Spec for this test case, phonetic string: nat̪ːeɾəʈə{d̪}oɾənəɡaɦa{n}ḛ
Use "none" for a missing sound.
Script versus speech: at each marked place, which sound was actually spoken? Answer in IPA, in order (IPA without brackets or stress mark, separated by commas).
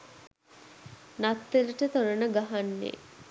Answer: t̪, nː